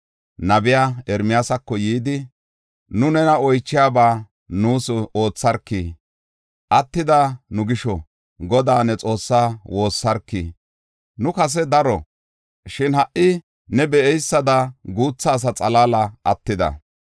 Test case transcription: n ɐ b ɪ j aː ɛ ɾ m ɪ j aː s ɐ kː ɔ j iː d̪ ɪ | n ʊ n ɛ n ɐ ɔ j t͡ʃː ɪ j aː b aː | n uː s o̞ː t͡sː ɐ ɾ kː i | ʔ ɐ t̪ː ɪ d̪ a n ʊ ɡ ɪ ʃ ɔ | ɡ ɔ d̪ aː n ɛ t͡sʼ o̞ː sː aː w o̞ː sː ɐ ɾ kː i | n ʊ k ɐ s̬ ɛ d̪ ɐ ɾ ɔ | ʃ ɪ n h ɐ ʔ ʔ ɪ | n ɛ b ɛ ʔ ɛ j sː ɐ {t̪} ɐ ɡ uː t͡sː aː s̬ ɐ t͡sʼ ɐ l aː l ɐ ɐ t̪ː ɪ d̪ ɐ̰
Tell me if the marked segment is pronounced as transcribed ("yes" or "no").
no